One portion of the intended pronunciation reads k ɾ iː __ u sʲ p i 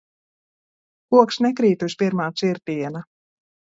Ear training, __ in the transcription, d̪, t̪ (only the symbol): t̪